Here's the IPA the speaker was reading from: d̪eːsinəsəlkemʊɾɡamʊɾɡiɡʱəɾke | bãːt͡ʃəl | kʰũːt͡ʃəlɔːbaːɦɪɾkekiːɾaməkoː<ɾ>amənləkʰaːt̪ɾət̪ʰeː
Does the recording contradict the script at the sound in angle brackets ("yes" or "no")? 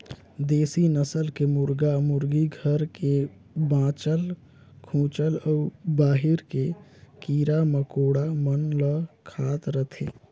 yes